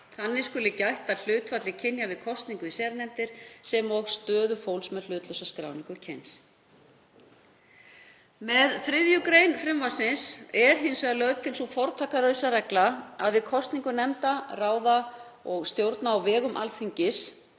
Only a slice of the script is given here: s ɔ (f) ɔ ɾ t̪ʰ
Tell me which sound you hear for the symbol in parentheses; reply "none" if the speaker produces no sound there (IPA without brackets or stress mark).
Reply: f